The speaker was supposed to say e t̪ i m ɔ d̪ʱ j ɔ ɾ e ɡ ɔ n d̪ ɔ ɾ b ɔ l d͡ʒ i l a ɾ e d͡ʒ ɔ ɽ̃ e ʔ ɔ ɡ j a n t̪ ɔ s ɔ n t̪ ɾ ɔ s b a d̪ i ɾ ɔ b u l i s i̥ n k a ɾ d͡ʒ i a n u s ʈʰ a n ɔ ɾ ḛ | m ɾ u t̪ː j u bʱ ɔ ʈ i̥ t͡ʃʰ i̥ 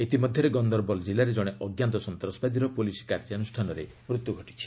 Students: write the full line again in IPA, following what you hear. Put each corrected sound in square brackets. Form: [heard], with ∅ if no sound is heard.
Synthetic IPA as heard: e t̪ i m ɔ d̪ʱ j ɔ ɾ e ɡ ɔ n d̪ ɔ ɾ b ɔ l d͡ʒ i l a ɾ e d͡ʒ ɔ ɽ̃ e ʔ ɔ ɡ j a n t̪ ɔ s ɔ n t̪ ɾ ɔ s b a d̪ i ɾ ɔ [p] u l i s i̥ [∅] k a ɾ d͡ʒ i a n u s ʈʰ a n ɔ ɾ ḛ | m ɾ u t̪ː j u [ɡʱ] ɔ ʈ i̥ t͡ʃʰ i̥

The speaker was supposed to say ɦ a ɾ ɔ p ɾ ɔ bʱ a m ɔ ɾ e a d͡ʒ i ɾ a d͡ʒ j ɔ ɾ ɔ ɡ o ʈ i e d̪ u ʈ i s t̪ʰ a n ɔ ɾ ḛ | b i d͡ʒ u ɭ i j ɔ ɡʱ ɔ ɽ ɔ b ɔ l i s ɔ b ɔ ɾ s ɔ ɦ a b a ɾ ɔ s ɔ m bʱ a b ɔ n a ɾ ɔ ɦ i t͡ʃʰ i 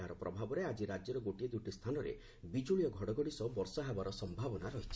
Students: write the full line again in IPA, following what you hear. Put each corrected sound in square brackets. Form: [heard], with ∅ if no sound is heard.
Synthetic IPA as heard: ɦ a ɾ ɔ p ɾ ɔ bʱ a [b] ɔ ɾ e a d͡ʒ i ɾ a d͡ʒ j ɔ ɾ ɔ ɡ o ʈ i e d̪ u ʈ i s t̪ʰ a n ɔ ɾ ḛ | b i d͡ʒ u ɭ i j ɔ ɡʱ ɔ ɽ ɔ [ɡ] ɔ [ɽ] i s ɔ b ɔ ɾ s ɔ ɦ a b a ɾ ɔ s ɔ m bʱ a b ɔ n a ɾ ɔ ɦ i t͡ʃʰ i

